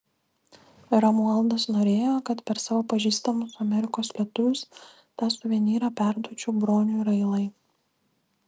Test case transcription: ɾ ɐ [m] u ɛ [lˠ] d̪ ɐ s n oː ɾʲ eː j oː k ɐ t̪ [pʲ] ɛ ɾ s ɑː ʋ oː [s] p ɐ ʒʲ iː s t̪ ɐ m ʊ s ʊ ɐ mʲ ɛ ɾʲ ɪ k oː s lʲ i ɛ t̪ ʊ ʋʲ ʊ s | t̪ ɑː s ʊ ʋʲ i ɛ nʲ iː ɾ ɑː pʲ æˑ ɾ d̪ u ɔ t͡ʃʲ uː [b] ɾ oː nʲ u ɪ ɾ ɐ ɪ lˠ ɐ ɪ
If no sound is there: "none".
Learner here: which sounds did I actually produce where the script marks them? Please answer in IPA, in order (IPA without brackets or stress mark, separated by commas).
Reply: m, lˠ, pʲ, none, b